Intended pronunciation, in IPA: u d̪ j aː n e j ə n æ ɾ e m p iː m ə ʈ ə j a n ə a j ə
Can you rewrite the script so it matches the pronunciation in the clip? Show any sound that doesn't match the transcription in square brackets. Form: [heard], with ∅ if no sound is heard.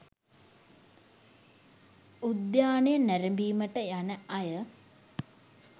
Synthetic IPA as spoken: u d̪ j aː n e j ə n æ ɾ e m [b] iː m ə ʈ ə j a n ə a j ə

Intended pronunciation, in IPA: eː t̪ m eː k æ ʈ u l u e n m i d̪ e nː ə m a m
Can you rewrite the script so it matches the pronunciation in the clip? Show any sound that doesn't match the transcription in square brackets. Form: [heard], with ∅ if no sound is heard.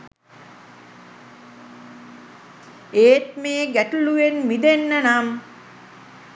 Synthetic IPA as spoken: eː t̪ m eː [ɡ] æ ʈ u l u e n m i d̪ e nː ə [n] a m

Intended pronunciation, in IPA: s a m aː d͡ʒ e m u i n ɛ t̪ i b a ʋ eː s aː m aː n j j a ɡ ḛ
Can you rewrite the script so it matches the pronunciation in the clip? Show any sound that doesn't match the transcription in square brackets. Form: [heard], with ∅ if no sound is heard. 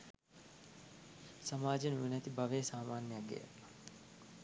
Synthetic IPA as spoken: s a m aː d͡ʒ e [n] u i n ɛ t̪ i b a ʋ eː s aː m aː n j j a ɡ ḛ

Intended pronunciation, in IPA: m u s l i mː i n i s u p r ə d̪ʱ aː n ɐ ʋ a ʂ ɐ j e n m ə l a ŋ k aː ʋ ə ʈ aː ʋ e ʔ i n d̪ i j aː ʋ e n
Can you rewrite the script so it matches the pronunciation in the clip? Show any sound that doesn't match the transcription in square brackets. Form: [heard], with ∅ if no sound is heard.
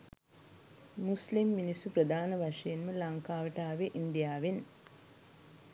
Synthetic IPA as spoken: m u s l i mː i n i s u p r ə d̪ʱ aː n [ə] ʋ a ʂ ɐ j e n m ə l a ŋ k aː ʋ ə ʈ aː ʋ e ʔ i n d̪ i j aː ʋ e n

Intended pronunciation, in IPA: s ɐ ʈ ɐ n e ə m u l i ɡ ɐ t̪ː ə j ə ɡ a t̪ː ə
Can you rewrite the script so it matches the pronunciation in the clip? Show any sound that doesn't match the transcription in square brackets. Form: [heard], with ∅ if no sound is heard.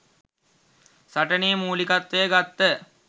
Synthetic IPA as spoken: s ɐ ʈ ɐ n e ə m [uː] l i [k] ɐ t̪ː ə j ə ɡ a t̪ː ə

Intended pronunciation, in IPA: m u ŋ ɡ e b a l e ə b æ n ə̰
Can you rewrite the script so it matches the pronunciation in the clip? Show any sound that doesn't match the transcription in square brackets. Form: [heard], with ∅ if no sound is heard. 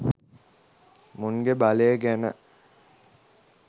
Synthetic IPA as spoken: m u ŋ ɡ e b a l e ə [ɡ] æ n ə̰

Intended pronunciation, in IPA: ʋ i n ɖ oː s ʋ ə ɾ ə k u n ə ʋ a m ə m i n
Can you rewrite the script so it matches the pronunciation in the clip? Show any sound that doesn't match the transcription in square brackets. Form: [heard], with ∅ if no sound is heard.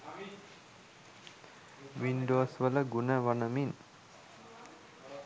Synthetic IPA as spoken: ʋ i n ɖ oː s ʋ ə [l] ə [ɡ] u n ə ʋ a [n] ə m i n

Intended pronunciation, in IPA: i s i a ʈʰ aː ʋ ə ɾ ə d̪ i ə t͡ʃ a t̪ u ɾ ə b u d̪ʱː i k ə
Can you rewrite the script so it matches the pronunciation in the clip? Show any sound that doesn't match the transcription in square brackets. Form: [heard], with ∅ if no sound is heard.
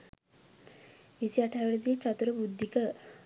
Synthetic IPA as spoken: i s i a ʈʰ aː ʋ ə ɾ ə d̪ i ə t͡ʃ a t̪ u ɾ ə b u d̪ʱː i k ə

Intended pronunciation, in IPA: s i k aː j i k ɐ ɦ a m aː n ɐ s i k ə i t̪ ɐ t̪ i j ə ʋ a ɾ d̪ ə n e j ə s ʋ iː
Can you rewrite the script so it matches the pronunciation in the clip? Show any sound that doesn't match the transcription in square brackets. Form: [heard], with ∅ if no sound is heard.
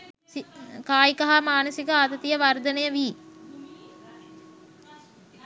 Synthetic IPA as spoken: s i k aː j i k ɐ ɦ a m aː n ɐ s i k ə [a] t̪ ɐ t̪ i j ə ʋ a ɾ d̪ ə n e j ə [∅] ʋ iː

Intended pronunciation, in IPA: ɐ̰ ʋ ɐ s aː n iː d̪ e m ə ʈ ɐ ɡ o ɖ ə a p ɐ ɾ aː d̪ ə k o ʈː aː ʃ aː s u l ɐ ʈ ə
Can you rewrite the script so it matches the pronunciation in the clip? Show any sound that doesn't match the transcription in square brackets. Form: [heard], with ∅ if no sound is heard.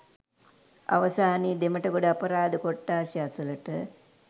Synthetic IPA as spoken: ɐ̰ ʋ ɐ s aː n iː d̪ e m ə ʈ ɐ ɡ o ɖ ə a p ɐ ɾ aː d̪ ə k o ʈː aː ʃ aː s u l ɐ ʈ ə

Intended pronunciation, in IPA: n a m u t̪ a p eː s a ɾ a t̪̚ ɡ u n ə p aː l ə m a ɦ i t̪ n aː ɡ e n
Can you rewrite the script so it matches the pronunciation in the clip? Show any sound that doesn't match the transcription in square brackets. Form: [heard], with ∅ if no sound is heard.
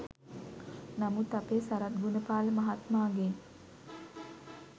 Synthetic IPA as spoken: n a m u t̪ a p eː s a ɾ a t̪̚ ɡ u n ə p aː l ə m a ɦ [a] t̪ [m] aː ɡ e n

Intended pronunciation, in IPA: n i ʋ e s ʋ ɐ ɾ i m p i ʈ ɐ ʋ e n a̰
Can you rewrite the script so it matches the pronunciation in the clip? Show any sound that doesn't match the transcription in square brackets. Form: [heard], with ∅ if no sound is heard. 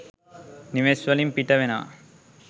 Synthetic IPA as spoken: n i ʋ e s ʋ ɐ [l] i m p i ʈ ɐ ʋ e n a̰

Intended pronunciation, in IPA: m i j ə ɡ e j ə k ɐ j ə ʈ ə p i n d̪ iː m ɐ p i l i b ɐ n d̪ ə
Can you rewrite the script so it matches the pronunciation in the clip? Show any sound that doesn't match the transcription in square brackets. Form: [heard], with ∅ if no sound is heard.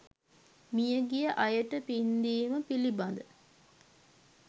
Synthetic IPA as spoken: m i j ə ɡ [i] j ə [ʔ] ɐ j ə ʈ ə p i n d̪ iː m [ə] p i l i b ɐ n d̪ ə

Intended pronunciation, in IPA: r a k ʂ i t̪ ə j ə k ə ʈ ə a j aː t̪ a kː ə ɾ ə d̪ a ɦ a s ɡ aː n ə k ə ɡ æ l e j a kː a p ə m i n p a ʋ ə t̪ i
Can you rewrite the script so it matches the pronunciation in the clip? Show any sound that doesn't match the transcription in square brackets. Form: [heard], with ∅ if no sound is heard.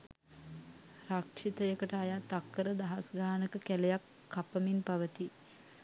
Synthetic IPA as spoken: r a k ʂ i t̪ ə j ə k ə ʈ ə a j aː t̪ a kː ə ɾ ə d̪ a ɦ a s ɡ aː n ə k ə [k] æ l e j a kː a p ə m i n p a ʋ ə t̪ i

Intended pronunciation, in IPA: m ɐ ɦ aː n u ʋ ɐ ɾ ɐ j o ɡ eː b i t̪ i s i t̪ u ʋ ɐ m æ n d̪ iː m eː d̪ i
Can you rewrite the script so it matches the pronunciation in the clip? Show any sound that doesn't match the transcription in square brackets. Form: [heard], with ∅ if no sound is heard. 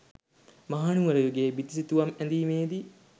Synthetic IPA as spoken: m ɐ ɦ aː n u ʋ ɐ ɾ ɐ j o ɡ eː b i t̪ i s i t̪ u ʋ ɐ m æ n d̪ iː m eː d̪ i

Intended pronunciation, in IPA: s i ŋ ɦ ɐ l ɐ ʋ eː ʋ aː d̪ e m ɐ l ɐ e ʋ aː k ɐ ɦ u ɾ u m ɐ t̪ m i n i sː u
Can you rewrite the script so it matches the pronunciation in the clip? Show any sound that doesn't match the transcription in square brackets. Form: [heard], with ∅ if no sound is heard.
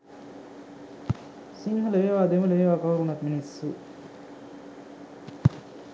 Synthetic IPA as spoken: s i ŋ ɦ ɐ l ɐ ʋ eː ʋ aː d̪ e m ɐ l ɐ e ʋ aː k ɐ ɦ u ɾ u [n] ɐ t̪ m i n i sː u

